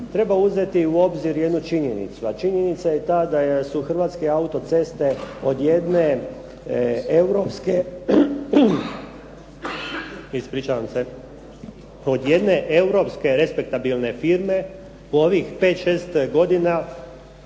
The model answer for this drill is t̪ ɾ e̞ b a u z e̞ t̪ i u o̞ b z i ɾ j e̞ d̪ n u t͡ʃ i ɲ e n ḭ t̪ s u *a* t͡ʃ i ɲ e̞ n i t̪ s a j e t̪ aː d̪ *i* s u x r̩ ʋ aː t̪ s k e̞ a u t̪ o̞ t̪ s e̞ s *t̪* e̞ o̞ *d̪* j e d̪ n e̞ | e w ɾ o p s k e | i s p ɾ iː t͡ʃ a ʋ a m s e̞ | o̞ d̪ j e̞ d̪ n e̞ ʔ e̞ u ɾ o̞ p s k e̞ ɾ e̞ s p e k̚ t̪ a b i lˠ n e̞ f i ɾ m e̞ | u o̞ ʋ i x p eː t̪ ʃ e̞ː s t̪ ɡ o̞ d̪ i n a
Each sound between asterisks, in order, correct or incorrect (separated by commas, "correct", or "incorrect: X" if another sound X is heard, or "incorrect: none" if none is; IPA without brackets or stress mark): correct, incorrect: a, correct, correct